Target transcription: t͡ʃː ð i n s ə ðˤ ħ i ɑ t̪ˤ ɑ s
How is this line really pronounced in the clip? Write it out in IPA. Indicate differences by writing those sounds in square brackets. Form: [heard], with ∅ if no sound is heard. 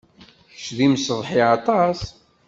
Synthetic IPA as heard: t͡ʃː ð i [m] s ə ðˤ ħ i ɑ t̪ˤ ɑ s